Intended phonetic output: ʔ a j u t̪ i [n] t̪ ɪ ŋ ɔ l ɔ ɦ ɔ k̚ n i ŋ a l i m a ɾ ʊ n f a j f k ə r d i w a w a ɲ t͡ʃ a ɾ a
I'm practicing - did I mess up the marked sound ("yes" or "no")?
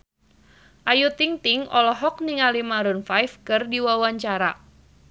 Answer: yes